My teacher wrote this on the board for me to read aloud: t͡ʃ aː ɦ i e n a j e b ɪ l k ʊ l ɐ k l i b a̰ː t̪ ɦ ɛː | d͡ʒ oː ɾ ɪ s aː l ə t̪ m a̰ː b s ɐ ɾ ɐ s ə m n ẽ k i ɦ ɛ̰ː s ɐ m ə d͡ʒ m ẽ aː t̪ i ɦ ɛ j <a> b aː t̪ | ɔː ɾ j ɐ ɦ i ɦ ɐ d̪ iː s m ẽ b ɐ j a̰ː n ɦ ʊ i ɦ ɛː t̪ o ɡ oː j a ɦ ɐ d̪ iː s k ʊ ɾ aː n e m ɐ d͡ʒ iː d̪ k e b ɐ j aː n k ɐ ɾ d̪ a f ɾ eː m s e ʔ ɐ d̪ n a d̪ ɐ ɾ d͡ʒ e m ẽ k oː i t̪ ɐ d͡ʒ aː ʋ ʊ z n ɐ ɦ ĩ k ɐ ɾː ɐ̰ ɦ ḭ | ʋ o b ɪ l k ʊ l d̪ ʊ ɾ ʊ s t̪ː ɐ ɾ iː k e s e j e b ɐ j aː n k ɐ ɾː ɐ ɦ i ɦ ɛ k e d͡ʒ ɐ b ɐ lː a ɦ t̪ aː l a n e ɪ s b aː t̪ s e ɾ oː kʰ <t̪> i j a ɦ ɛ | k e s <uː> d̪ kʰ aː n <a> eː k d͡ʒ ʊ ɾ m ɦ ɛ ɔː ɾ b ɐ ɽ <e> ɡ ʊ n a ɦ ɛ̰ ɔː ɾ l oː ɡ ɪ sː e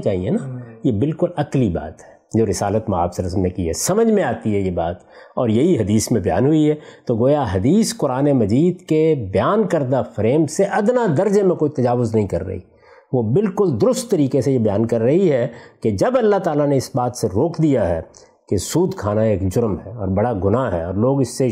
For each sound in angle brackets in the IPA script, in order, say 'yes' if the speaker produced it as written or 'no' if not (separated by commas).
no, no, yes, yes, no